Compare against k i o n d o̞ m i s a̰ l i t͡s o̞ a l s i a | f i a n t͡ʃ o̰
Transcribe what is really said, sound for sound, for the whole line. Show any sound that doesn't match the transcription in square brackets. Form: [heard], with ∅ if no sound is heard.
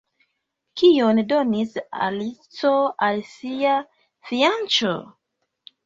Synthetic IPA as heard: k i o n d o̞ [n] i s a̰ l i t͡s o̞ a l s i a | f i a n t͡ʃ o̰